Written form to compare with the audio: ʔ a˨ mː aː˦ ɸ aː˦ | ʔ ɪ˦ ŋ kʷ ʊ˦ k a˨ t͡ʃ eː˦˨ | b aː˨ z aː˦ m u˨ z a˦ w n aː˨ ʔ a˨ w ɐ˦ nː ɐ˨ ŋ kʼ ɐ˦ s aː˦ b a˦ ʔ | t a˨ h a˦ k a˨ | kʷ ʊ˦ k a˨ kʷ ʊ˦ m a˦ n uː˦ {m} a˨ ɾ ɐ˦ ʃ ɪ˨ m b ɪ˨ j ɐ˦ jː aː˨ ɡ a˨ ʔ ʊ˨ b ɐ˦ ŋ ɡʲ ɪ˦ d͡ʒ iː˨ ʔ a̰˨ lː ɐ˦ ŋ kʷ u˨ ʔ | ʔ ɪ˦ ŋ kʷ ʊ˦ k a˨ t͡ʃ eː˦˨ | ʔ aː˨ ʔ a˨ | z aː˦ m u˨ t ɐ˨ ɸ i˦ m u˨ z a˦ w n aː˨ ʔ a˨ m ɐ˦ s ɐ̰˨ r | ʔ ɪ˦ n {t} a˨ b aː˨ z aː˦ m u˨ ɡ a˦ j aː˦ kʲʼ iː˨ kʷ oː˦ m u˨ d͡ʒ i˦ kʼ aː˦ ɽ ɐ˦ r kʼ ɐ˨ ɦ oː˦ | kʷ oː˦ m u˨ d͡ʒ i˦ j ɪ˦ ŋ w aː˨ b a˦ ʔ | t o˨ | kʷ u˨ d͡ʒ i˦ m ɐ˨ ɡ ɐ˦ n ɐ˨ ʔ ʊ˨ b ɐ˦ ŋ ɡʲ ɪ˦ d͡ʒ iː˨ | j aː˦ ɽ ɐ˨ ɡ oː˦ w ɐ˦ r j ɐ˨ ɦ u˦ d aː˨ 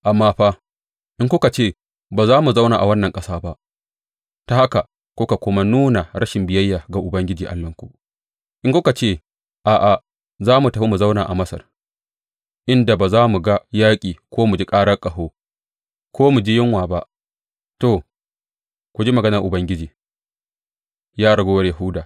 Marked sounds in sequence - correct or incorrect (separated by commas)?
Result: incorrect, incorrect